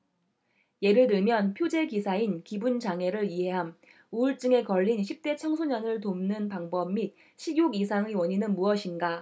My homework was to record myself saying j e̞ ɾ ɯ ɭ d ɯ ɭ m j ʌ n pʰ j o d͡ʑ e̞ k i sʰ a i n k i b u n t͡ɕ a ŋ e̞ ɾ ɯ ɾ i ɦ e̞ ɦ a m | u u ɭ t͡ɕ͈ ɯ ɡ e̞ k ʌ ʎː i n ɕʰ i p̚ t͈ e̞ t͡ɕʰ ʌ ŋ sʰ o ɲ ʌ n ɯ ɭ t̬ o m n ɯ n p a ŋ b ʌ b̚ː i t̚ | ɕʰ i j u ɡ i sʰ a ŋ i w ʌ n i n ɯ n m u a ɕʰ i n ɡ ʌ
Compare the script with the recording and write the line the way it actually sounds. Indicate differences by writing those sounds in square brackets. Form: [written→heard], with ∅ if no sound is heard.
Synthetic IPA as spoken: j e̞ ɾ ɯ ɭ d ɯ ɭ m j ʌ n pʰ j o d͡ʑ e̞ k i sʰ a i n k i b u n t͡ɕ a ŋ e̞ ɾ ɯ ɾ i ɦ e̞ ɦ a m | u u ɭ t͡ɕ͈ ɯ [ɡ→ŋ] e̞ k ʌ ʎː i n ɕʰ i p̚ t͈ e̞ t͡ɕʰ ʌ ŋ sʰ o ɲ ʌ n ɯ ɭ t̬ o m n ɯ n p a ŋ b ʌ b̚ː i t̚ | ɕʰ i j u ɡ i sʰ a ŋ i w ʌ [n→ɲ] i n ɯ n m u [a→ʌ] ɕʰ i n ɡ [ʌ→a]